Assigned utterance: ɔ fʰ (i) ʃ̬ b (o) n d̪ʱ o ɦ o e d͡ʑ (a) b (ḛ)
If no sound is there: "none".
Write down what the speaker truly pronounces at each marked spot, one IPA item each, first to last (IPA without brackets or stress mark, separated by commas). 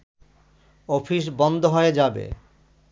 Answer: i, ɔ, a, ḛ